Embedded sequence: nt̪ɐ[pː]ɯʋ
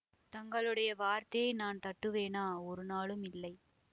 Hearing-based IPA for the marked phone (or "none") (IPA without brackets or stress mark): ʈː